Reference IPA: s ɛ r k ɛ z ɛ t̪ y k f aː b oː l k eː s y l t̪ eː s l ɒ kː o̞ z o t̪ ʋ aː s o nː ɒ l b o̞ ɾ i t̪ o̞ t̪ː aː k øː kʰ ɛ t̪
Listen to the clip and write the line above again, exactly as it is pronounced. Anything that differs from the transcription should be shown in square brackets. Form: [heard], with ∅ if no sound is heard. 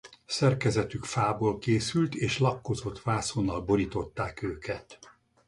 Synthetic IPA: s ɛ r k ɛ z ɛ t̪ y k f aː b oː l k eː s y l t̪ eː [ʃ] l ɒ kː o̞ z o t̪ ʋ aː s o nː ɒ l b o̞ ɾ i t̪ o̞ t̪ː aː k øː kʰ ɛ t̪